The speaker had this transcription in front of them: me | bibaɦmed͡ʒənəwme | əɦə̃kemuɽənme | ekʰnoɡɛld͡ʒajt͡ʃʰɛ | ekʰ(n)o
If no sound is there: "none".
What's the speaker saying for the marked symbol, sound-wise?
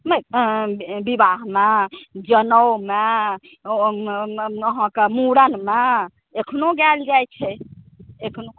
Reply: n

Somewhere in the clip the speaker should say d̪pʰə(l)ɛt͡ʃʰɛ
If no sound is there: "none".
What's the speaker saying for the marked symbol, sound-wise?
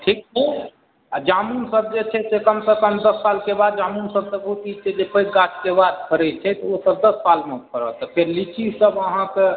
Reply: ɾ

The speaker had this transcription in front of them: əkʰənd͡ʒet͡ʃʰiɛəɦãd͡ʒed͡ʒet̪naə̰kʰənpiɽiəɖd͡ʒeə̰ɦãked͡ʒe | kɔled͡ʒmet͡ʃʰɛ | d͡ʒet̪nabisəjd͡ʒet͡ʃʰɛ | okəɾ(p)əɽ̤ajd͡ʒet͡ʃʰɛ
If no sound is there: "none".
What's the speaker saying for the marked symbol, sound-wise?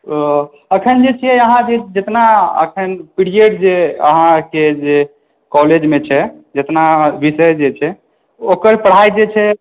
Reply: p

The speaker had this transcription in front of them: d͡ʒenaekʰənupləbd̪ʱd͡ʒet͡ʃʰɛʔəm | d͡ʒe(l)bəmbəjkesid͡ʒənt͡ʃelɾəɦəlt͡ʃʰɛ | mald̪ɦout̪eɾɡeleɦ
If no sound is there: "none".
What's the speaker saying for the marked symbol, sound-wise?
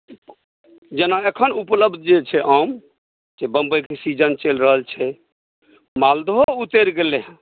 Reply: none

